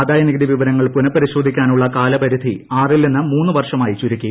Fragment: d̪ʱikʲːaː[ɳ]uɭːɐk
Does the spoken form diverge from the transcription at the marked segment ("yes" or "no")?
yes